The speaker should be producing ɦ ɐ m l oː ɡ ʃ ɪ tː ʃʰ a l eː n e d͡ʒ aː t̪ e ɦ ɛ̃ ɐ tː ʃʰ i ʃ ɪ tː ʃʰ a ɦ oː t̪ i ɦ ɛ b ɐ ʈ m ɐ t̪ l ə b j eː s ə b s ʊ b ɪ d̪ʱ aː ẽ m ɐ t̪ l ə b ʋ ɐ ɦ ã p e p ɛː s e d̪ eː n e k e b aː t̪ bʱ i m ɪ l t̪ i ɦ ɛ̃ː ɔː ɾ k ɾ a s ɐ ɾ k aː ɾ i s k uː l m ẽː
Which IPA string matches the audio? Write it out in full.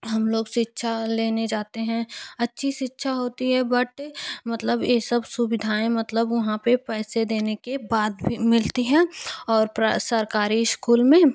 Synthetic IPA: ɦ ɐ m l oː ɡ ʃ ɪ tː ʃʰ a l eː n e d͡ʒ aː t̪ e ɦ ɛ̃ ɐ tː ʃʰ i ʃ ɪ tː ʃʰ a ɦ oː t̪ i ɦ ɛ b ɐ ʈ m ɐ t̪ l ə b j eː s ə b s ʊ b ɪ d̪ʱ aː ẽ m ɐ t̪ l ə b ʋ ɐ ɦ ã p e p ɛː s e d̪ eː n e k e b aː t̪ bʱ i m ɪ l t̪ i ɦ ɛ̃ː ɔː ɾ p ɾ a s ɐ ɾ k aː ɾ i s k uː l m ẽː